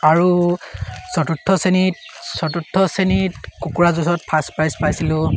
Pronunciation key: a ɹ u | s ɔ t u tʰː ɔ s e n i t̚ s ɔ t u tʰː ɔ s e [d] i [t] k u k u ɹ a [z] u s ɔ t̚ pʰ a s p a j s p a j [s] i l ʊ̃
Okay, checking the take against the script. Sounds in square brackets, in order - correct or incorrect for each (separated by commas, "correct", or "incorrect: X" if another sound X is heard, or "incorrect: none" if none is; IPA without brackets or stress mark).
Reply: incorrect: n, correct, correct, correct